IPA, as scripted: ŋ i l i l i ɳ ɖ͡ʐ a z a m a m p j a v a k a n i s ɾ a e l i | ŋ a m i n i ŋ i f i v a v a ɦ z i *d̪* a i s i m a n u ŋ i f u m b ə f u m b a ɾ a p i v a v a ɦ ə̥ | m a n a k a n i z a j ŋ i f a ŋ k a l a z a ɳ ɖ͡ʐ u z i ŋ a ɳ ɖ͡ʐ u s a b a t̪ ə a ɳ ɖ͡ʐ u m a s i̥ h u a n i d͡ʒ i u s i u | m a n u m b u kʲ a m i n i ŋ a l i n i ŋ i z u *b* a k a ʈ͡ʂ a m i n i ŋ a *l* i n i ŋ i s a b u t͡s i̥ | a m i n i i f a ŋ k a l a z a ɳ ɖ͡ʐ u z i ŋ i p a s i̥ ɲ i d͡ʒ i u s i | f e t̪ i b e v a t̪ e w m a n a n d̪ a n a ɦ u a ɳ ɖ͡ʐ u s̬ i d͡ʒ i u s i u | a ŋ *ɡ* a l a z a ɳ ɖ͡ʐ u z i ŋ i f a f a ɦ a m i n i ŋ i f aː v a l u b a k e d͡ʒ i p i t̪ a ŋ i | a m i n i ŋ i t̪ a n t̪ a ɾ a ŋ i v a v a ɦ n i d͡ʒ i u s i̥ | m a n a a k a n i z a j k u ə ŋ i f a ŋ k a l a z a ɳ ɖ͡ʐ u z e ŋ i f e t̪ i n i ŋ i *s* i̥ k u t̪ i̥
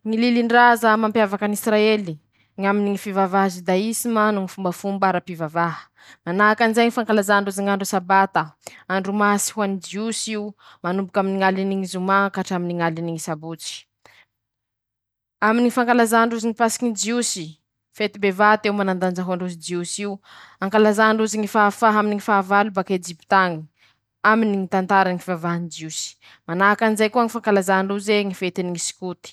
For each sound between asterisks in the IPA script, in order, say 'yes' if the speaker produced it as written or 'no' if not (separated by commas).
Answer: yes, no, yes, no, yes